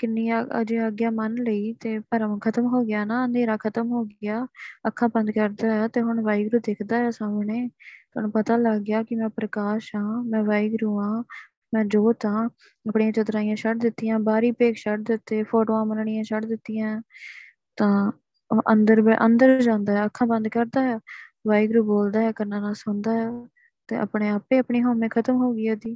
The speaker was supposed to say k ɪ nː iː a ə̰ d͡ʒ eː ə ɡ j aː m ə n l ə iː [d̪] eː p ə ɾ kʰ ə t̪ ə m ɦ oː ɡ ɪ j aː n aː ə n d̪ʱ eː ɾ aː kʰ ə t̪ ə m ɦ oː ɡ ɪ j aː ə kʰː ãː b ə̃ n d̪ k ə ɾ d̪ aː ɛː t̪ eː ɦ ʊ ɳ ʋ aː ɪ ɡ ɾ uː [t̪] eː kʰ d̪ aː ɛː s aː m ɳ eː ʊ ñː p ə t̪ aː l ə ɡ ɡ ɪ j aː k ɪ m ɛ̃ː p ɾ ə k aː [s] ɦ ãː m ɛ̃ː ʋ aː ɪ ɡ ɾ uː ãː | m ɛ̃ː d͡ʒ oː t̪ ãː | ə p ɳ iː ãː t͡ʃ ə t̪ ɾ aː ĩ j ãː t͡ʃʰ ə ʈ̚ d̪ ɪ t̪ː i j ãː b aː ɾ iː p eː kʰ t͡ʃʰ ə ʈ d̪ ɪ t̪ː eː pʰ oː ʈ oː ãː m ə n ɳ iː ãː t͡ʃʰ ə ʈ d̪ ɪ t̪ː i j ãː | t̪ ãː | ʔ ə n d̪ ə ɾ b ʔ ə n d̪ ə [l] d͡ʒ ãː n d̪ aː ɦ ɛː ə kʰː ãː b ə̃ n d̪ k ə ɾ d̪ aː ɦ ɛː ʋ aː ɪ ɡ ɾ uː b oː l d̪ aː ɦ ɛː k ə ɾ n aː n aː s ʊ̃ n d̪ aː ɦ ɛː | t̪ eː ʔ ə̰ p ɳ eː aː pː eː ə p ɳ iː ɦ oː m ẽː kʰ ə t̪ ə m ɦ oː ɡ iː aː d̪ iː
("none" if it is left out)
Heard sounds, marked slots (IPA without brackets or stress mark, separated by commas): t̪, d̪, ʃ, ɾ